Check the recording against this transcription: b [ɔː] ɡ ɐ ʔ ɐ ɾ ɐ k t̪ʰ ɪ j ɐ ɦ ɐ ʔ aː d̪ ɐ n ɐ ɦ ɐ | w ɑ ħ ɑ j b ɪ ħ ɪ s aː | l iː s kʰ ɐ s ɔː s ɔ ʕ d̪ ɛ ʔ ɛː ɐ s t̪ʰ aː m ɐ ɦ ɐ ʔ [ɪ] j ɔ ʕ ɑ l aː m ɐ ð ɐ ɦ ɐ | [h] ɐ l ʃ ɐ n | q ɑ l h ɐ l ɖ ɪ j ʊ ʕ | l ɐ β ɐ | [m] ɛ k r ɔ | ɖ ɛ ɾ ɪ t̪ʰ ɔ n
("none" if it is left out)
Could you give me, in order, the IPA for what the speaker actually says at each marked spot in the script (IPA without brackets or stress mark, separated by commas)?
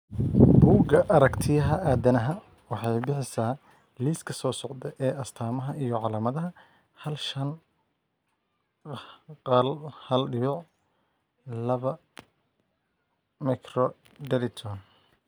uː, i, h, m